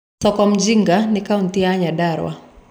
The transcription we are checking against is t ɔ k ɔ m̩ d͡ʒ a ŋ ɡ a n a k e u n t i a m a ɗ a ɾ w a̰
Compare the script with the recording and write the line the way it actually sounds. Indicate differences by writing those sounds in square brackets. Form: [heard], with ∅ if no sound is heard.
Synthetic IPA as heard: [s] ɔ k ɔ m̩ d͡ʒ [i] ŋ ɡ a n [i] k [a] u n t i a [ɲ] a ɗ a ɾ w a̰